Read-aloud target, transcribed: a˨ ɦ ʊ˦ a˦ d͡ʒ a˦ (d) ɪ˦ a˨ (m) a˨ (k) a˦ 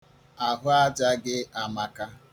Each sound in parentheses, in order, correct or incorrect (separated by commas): incorrect, correct, correct